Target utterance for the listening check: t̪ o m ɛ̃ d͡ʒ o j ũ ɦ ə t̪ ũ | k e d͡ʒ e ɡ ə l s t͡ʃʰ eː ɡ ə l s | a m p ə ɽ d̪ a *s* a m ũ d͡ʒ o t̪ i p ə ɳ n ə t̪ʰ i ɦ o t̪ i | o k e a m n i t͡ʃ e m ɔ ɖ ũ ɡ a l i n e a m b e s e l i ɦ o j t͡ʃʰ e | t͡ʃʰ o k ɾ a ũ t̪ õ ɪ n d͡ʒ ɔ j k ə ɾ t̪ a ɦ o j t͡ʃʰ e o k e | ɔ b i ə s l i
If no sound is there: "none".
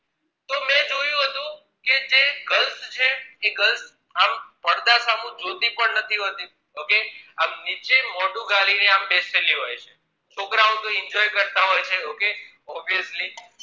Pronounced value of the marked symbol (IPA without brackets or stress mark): s